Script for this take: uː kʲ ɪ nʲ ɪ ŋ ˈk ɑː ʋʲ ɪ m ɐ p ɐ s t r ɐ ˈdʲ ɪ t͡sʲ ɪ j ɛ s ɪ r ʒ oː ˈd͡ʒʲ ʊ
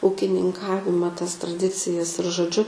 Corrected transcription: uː kʲ ɪ nʲ ɪ ŋ ˈk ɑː ʋʲ ɪ m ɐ t ɐ s t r ɐ ˈdʲ ɪ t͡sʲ ɪ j ɛ s ɪ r ʒ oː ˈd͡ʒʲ ʊ